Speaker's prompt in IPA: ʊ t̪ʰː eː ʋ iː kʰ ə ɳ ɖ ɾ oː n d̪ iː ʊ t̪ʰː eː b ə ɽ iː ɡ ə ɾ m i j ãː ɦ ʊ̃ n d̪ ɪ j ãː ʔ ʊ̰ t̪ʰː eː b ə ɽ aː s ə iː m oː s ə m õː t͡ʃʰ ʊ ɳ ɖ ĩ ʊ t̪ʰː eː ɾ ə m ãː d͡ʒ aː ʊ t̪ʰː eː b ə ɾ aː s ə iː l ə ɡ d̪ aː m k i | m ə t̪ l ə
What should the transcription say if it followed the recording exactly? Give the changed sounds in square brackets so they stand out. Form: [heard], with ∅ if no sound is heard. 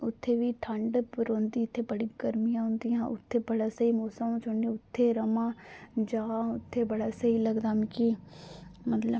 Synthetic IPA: ʊ t̪ʰː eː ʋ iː [ʈʰ] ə ɳ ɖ ɾ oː n d̪ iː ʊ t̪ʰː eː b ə ɽ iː ɡ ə ɾ m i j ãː ɦ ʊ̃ n d̪ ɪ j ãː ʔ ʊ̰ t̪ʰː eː b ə ɽ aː s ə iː m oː s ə m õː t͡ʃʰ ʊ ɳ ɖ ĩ ʊ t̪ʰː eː ɾ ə m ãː d͡ʒ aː ʊ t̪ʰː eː b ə [ɽ] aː s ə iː l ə ɡ d̪ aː m k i | m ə t̪ l ə